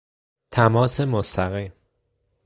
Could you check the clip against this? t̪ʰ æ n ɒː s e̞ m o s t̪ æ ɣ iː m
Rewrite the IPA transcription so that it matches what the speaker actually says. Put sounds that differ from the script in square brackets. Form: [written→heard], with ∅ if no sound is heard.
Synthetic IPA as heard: t̪ʰ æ [n→m] ɒː s e̞ m o s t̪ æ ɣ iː m